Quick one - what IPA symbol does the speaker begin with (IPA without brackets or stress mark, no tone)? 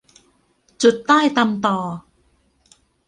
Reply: t͡ɕ